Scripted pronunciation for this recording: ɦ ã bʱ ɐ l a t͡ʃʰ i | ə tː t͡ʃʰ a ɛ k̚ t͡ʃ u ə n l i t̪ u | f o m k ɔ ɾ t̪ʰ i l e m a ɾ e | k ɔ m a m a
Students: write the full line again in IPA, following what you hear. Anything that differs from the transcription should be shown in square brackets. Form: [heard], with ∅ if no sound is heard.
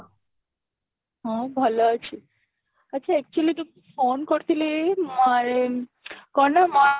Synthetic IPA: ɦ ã bʱ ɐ l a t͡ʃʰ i | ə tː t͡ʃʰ a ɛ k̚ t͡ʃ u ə [∅] l i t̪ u | f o [n] k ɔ ɾ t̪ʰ i l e m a ɾ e | k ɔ [n] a m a